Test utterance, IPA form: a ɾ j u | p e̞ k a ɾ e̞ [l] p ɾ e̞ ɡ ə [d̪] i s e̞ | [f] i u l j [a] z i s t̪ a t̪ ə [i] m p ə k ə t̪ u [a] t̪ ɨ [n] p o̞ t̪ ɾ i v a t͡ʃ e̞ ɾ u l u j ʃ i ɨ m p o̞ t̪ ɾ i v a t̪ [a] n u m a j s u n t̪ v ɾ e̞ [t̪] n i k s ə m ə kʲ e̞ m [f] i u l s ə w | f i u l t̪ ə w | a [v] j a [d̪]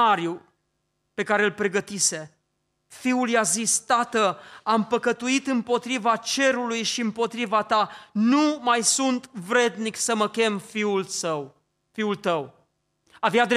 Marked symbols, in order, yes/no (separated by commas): yes, no, yes, yes, no, no, no, yes, no, yes, yes, yes